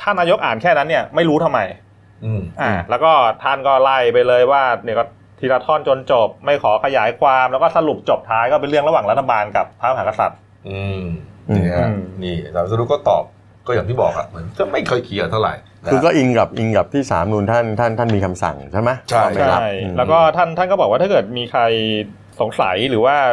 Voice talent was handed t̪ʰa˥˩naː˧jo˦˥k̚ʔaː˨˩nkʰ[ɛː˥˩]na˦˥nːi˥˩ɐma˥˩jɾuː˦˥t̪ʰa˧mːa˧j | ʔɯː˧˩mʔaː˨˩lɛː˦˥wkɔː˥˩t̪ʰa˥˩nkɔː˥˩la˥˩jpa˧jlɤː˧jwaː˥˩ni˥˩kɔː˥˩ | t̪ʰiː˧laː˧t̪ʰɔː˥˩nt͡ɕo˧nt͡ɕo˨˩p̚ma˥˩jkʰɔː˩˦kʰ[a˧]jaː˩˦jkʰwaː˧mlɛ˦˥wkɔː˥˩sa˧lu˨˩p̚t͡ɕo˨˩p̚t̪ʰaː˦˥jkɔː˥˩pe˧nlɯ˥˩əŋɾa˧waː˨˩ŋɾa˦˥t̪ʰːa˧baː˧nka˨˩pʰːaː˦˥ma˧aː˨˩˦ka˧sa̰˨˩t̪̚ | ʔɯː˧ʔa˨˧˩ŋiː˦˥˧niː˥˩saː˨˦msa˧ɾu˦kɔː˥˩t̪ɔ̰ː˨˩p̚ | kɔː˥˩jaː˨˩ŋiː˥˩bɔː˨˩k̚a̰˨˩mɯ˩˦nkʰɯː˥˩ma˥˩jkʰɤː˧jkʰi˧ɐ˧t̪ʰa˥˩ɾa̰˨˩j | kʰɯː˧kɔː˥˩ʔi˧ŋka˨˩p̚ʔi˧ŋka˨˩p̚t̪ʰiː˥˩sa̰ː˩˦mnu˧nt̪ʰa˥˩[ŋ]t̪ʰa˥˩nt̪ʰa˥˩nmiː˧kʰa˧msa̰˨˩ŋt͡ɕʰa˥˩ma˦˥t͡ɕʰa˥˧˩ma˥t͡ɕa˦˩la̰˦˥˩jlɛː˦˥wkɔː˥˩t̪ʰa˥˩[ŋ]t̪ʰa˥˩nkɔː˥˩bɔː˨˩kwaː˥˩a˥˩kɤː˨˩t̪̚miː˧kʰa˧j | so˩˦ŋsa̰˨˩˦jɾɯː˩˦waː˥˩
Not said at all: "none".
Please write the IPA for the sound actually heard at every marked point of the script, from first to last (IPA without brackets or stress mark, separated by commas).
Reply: ɛː˥˩, a˧, n, n